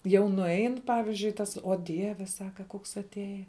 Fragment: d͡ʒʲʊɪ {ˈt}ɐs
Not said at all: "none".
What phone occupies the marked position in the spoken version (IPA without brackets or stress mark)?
t